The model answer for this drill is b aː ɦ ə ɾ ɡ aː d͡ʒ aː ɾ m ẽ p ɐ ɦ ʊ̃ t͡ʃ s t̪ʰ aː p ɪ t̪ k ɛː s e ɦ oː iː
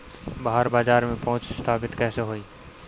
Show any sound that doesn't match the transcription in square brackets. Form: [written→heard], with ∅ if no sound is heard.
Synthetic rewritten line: b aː ɦ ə ɾ [ɡ→b] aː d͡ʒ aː ɾ m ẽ p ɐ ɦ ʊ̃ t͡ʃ s t̪ʰ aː p ɪ t̪ k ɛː s e ɦ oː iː

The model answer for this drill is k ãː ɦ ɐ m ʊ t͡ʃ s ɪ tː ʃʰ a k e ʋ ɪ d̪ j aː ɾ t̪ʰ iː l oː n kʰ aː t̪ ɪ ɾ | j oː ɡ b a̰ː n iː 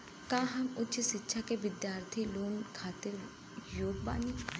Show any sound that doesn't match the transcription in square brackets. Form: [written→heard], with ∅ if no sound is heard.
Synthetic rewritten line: k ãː ɦ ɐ m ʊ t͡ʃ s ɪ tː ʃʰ a k e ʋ ɪ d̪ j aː ɾ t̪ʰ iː l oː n kʰ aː t̪ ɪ ɾ | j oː ɡ b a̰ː n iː

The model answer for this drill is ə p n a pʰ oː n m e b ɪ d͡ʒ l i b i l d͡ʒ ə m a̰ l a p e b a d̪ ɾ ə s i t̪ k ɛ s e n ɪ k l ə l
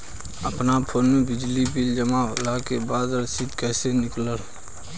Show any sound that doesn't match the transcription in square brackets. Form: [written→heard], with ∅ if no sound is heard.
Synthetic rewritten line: ə p n a pʰ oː n m e b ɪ d͡ʒ l i b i l d͡ʒ ə m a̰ l a [p→k] e b a d̪ ɾ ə s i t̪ k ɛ s e n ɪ k l ə l

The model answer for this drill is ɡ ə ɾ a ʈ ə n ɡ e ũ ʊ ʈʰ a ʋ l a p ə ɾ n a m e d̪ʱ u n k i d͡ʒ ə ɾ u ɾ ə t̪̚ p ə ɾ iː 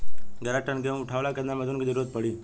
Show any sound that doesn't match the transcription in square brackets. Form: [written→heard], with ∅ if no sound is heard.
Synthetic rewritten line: ɡ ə ɾ a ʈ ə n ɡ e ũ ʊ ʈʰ a ʋ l a [p→k] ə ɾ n a m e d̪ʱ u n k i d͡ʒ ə ɾ u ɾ ə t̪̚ p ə [ɾ→ɽ] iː

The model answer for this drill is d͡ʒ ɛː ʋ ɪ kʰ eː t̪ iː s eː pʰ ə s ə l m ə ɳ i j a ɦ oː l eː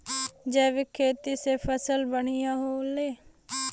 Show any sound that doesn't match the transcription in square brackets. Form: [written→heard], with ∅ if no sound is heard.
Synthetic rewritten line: d͡ʒ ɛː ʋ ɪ kʰ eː t̪ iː s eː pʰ ə s ə l [m→b] ə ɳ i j a ɦ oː l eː

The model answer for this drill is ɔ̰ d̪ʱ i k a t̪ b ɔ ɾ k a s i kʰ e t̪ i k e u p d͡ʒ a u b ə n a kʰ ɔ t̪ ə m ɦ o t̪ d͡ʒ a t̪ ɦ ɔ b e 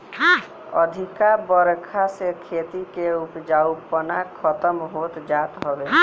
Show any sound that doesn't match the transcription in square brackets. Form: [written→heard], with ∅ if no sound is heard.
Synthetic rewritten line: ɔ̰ d̪ʱ i k a [t̪→∅] b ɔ ɾ [k→kʰ] a s [i→e] kʰ e t̪ i k e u p d͡ʒ a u [b→p] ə n a kʰ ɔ t̪ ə m ɦ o t̪ d͡ʒ a t̪ ɦ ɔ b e

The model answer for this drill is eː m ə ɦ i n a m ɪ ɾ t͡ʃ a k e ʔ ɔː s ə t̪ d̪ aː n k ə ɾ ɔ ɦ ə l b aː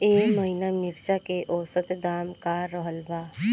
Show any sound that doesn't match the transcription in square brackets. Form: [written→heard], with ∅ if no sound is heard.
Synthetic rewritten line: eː m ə ɦ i n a m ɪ ɾ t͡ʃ a k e ʔ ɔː s ə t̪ d̪ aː [n→m] k [ə→a] ɾ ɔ ɦ ə l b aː

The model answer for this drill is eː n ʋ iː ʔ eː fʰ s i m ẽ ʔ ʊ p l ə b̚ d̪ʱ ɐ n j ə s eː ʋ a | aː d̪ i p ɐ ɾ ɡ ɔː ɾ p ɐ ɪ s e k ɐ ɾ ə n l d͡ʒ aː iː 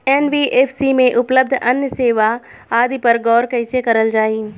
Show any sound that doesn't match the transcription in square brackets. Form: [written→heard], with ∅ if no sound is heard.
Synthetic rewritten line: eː n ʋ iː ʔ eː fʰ s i m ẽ ʔ ʊ p l ə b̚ d̪ʱ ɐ n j ə s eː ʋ a | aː d̪ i p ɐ ɾ ɡ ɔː ɾ [p→k] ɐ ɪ s e k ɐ ɾ ə [n→∅] l d͡ʒ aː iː

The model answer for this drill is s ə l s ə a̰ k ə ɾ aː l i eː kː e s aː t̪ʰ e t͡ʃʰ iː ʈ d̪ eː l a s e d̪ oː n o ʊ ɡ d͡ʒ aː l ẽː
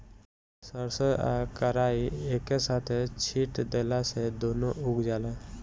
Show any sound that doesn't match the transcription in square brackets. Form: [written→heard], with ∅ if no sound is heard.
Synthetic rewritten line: s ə [l→ɾ] s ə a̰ k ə ɾ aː [l→∅] i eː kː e s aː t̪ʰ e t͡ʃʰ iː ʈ d̪ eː l a s e d̪ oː n o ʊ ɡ d͡ʒ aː l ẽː

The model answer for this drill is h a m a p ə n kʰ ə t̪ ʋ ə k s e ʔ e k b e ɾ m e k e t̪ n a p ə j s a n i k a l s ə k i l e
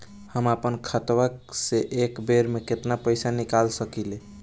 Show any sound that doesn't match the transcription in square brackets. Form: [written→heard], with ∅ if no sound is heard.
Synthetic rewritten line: h [a→ə] m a p ə n kʰ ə t̪ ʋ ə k s e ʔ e k b e ɾ m e k e t̪ n a p ə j s a n i k a l s ə k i l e

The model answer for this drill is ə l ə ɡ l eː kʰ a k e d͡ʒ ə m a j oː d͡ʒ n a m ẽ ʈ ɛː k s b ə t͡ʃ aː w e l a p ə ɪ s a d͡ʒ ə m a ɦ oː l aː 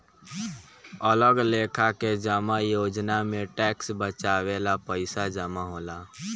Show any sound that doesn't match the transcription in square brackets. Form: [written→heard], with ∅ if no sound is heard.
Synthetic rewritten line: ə l ə ɡ l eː kʰ a k e d͡ʒ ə m a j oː d͡ʒ n a m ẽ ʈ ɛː k s b ə t͡ʃ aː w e l a p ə ɪ s a d͡ʒ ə m a ɦ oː l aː

